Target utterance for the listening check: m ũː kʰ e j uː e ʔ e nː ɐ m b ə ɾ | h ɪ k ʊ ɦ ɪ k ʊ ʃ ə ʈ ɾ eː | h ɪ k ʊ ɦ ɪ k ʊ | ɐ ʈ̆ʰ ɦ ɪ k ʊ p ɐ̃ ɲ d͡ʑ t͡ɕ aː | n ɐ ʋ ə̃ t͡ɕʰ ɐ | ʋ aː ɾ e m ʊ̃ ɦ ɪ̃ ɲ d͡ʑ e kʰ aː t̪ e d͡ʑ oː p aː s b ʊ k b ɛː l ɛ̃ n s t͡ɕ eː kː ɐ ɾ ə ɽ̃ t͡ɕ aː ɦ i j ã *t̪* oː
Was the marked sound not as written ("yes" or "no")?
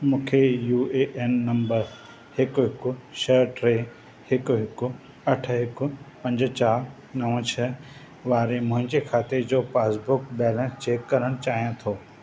yes